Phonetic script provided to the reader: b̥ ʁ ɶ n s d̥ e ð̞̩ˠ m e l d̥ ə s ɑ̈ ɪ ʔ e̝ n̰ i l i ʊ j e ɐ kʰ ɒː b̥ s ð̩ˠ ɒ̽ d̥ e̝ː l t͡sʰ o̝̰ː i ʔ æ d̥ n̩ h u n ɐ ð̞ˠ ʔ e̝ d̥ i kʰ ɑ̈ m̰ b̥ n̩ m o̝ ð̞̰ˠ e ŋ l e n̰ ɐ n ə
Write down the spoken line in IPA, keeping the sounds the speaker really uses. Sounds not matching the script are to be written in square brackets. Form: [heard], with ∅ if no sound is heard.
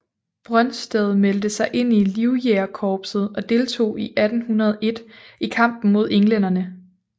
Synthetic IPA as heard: b̥ ʁ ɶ n s d̥ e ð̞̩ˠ m e l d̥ ə s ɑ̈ ɪ ʔ e̝ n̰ i l i ʊ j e ɐ kʰ ɒː b̥ s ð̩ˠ ɒ̽ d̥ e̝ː l t͡sʰ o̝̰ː i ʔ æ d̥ n̩ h u n ɐ ð̞ˠ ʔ e̝ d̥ i kʰ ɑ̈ m̰ b̥ n̩ m o̝ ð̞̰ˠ e ŋ l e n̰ ɐ n ə

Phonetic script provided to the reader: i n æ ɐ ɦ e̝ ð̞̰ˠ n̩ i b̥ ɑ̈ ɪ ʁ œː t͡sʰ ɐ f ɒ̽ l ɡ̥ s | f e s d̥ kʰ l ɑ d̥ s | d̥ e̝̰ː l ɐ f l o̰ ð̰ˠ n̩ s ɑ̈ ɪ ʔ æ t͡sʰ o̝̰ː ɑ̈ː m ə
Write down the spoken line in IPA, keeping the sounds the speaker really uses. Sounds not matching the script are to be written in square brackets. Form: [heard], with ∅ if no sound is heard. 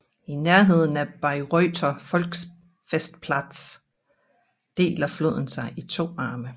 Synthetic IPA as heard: i n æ ɐ ɦ e̝ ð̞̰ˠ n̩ [æ] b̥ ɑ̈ ɪ ʁ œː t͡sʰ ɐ f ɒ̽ l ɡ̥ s | f e s d̥ [pʰ] l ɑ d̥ s | d̥ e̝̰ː l ɐ f l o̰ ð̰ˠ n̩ s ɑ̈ ɪ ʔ [i] t͡sʰ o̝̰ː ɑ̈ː m ə

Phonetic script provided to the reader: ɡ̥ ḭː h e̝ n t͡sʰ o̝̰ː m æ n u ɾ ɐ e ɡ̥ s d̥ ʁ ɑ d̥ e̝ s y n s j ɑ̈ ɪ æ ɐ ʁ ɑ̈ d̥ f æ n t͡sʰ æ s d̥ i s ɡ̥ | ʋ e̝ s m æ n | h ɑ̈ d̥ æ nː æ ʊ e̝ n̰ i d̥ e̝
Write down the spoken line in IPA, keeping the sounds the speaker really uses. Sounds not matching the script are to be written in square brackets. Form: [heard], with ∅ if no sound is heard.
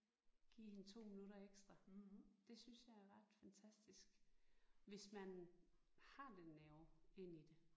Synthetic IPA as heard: ɡ̥ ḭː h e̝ n t͡sʰ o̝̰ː m [i] n u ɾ ɐ e ɡ̥ s d̥ ʁ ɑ d̥ e̝ s y n s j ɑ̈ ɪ æ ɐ ʁ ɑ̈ d̥ f æ n t͡sʰ æ s d̥ i s ɡ̥ | ʋ e̝ s m æ n | h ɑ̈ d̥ [e] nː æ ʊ e̝ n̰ i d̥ e̝

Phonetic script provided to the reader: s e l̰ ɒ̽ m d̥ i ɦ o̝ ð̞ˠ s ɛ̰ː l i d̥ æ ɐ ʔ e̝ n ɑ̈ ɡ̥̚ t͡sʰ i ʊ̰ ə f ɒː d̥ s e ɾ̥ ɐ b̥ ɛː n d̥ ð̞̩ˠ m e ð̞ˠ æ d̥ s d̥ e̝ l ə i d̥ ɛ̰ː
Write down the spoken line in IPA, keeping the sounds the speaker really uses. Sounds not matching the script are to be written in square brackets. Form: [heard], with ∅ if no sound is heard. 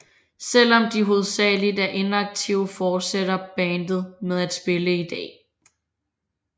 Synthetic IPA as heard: s e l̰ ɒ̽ m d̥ i ɦ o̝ ð̞ˠ s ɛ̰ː l i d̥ æ ɐ ʔ e̝ n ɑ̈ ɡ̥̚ t͡sʰ i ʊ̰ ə f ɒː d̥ s e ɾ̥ ɐ b̥ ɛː n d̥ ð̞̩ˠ m e ð̞ˠ æ d̥ s [b̥] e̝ l ə i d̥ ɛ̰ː

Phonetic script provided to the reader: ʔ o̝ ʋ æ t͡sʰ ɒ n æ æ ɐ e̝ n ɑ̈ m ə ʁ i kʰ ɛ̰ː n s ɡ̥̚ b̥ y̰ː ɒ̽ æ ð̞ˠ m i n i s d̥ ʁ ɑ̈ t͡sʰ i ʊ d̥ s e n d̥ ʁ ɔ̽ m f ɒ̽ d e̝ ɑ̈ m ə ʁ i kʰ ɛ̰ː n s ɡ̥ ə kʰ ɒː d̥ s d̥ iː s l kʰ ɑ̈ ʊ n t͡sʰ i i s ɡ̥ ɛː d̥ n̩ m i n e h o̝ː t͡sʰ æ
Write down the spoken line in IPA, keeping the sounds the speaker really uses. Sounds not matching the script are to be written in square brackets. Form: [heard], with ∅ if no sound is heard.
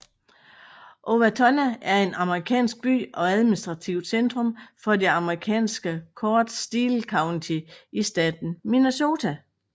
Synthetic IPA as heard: ʔ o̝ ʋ æ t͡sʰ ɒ n æ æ ɐ e̝ n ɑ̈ m ə ʁ i kʰ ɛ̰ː n s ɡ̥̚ b̥ y̰ː ɒ̽ æ ð̞ˠ m i n i s d̥ ʁ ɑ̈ t͡sʰ i ʊ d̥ s e n d̥ ʁ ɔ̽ m f ɒ̽ d e̝ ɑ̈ m ə ʁ i kʰ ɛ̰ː n s ɡ̥ ə kʰ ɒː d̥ s d̥ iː [∅] l kʰ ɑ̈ ʊ n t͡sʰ i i s [d̥] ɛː d̥ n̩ m i n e [s] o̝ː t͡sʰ æ

